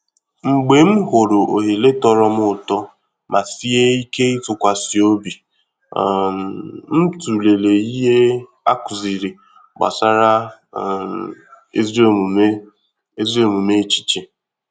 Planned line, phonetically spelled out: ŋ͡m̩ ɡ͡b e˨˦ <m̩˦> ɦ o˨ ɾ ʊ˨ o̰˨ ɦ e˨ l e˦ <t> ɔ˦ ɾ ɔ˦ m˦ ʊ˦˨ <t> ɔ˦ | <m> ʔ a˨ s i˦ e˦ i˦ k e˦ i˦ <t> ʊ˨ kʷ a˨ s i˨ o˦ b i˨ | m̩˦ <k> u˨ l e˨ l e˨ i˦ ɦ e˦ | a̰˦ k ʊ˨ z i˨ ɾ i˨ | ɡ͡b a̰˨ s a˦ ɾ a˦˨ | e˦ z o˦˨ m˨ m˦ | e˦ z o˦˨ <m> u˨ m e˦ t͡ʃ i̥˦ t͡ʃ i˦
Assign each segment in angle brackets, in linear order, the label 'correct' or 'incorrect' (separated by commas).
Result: correct, correct, correct, correct, correct, incorrect, correct